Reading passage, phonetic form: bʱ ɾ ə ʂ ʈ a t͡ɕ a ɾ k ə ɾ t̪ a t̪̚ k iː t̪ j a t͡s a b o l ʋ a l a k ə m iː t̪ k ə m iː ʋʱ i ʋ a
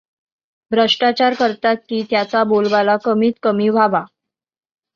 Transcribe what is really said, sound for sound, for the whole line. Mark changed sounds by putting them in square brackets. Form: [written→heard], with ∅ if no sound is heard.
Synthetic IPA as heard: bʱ ɾ ə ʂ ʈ a t͡ɕ a ɾ k ə ɾ t̪ a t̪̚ k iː t̪ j a t͡s a b o l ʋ a l a k ə m iː t̪ k ə m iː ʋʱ [i→a] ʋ a